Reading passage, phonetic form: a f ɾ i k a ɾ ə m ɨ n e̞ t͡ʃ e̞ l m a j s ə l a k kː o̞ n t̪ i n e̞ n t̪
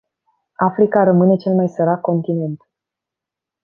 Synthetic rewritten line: a f ɾ i k a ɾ ə m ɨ n e̞ t͡ʃ e̞ l m a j s ə ɾ a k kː o̞ n t̪ i n e̞ n t̪

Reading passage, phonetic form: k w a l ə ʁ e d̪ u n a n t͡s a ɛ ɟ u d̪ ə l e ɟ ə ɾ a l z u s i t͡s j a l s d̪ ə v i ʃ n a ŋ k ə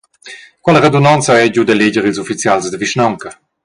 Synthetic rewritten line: k w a l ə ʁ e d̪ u n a n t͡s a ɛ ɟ u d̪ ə l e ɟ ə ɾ i l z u f i t͡s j a l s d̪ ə v i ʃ n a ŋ k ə

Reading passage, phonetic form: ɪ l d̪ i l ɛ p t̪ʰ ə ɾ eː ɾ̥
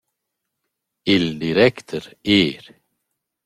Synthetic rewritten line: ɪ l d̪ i ɾ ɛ k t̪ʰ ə ɾ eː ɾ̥

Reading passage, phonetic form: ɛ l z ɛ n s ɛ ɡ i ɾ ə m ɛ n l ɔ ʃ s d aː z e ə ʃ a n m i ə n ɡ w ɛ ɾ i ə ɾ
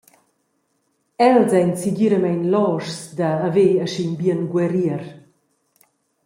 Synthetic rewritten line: ɛ l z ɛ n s i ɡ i ɾ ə m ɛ n l ɔ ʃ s d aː v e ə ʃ i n b i ə n ɡ w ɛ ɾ i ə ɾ

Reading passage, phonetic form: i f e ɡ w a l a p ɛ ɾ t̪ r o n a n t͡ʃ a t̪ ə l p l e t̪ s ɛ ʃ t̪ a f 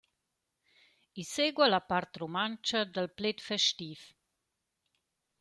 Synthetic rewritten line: i s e ɡ w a l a p a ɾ t̪ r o m a n t͡ʃ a d̪ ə l p l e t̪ f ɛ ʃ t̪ i f

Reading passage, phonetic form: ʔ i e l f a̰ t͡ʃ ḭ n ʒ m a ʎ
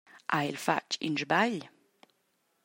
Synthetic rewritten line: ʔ a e l f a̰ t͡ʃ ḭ n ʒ b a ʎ

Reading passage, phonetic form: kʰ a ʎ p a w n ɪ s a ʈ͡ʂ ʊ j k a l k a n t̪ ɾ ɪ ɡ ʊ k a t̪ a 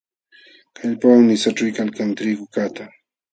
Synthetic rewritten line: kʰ a ʎ p a w n ɪ s a ʈ͡ʂ ʊ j k a l k a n t̪ ɾ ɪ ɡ ʊ k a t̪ a

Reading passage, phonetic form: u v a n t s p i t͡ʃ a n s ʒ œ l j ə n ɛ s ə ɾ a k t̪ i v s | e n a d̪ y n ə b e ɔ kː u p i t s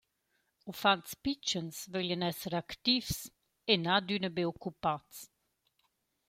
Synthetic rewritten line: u f a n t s p i t͡ʃ ə n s v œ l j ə n ɛ s ə ɾ a k t̪ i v s | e n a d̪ y n ə b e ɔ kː u p a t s

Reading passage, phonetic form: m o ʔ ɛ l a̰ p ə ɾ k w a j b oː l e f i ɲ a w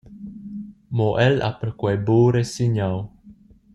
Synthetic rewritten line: m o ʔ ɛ l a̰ p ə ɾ k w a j b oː ɾ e s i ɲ a w

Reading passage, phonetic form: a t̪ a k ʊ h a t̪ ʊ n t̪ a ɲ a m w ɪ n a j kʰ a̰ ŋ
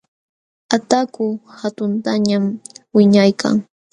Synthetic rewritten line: a t̪ a k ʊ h a t̪ ʊ n t̪ a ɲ a m w ɪ ɲ a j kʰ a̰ ŋ

